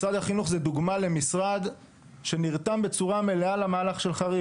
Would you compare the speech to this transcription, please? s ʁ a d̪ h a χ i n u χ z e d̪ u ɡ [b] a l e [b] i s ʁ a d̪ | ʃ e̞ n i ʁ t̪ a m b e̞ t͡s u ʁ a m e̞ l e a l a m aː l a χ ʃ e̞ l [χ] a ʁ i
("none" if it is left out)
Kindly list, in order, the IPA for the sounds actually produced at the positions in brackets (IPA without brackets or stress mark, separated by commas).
m, m, χ